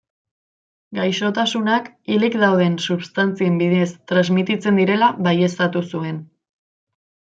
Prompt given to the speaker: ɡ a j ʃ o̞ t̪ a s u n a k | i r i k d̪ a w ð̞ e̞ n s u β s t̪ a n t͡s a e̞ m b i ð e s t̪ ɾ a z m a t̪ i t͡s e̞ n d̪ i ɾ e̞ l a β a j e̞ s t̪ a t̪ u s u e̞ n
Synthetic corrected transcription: ɡ a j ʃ o̞ t̪ a s u n a k | i l i k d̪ a w ð̞ e̞ n s u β s t̪ a n t͡s i e̞ m b i ð e s t̪ ɾ a z m i t̪ i t͡s e̞ n d̪ i ɾ e̞ l a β a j e̞ s t̪ a t̪ u s u e̞ n